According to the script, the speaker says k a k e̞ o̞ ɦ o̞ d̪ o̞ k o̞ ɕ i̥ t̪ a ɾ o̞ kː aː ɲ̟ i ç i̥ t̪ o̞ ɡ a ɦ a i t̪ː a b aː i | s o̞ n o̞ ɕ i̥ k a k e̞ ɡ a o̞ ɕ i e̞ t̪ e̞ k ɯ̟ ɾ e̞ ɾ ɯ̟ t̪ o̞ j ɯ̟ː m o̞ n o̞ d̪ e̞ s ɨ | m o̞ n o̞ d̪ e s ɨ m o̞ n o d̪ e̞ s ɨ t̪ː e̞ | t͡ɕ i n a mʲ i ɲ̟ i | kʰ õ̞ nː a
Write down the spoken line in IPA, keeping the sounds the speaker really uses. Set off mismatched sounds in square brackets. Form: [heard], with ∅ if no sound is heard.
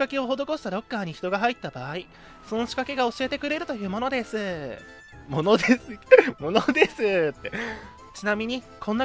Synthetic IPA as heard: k a k e̞ o̞ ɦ o̞ d̪ o̞ k o̞ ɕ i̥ t̪ a ɾ o̞ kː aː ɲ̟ i ç i̥ t̪ o̞ ɡ a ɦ a i t̪ː a b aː i | s o̞ n o̞ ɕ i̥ k a k e̞ ɡ a o̞ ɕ i e̞ t̪ e̞ k ɯ̟ ɾ e̞ ɾ ɯ̟ t̪ o̞ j ɯ̟ː m o̞ n o̞ d̪ e̞ s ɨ | m o̞ n o̞ d̪ e s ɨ m o̞ n o d̪ e̞ s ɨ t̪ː e̞ | t͡ɕ i n a mʲ i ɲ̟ i | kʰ õ̞ nː a